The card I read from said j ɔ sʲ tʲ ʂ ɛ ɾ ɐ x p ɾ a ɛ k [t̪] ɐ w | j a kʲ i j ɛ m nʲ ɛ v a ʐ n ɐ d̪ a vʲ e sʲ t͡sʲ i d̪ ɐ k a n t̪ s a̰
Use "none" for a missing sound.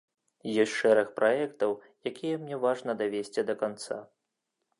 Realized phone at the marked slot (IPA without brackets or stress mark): t̪